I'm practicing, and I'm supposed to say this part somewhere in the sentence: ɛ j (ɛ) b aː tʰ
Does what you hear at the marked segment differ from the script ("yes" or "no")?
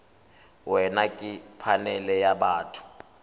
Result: yes